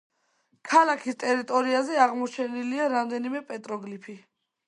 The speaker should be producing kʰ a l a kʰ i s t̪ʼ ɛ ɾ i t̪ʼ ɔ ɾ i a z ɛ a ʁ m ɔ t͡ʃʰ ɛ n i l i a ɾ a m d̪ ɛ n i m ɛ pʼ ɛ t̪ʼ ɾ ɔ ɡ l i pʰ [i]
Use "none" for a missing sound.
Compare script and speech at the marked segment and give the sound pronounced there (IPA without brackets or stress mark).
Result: i